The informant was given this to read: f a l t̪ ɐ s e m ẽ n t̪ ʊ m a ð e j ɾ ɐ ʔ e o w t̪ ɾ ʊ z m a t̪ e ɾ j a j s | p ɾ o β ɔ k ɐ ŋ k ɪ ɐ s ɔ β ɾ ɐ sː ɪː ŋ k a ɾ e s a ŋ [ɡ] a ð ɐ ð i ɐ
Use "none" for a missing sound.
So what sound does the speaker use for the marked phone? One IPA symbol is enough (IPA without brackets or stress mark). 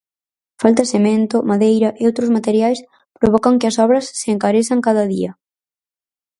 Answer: k